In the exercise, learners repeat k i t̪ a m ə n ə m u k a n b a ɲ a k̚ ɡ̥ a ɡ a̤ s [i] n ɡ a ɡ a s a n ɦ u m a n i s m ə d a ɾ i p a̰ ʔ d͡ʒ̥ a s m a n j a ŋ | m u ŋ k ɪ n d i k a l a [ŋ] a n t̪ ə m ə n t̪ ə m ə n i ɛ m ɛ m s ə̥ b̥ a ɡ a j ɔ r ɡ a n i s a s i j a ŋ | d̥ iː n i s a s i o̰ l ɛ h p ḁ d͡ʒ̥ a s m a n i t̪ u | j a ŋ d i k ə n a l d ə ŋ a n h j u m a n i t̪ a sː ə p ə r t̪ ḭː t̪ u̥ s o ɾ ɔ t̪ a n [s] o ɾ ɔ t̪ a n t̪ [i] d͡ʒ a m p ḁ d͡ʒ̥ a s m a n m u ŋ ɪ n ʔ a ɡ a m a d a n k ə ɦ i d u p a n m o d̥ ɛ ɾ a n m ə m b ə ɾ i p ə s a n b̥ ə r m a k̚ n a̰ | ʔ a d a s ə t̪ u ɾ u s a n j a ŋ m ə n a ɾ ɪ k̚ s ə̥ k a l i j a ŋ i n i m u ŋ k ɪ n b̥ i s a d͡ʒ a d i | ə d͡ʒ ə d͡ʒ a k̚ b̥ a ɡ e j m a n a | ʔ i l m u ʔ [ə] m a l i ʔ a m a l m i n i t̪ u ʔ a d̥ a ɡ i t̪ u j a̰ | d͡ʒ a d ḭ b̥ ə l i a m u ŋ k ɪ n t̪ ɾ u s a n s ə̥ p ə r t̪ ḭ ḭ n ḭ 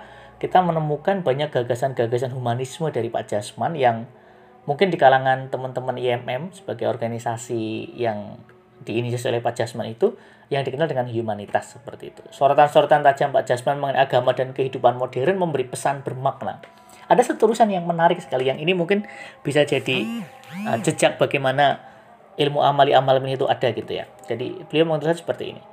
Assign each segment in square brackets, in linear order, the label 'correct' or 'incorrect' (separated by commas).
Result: incorrect, correct, correct, incorrect, incorrect